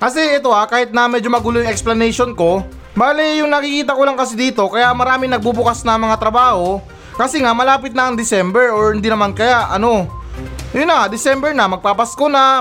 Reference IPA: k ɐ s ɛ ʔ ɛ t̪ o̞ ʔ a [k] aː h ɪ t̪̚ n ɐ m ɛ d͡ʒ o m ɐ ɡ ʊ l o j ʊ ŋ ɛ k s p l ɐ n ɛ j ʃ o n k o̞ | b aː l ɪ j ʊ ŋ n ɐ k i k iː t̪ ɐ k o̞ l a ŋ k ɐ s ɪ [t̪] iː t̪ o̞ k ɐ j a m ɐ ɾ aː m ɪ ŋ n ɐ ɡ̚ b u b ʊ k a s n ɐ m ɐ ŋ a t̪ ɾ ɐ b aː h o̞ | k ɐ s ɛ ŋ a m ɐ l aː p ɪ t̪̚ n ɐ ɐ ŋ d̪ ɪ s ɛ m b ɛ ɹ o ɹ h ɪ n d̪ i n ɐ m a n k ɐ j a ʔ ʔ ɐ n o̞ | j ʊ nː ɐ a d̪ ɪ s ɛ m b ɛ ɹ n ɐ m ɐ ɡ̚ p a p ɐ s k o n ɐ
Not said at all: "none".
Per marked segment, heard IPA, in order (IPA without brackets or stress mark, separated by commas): k, d̪